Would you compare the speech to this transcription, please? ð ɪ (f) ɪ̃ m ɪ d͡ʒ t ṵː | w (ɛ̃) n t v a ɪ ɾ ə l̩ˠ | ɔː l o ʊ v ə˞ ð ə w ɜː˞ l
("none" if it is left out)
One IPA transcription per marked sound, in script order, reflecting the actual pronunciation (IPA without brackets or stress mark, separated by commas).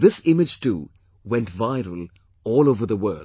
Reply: s, ɛ̃